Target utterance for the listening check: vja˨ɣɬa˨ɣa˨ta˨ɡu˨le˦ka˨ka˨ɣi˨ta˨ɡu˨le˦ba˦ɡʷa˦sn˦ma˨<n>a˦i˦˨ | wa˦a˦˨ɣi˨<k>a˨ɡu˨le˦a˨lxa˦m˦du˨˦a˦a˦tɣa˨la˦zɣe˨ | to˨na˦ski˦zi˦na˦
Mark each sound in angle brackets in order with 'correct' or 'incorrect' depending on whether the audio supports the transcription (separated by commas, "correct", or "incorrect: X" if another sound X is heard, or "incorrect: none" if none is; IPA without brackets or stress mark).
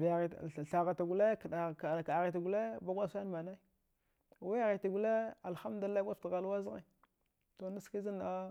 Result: correct, incorrect: t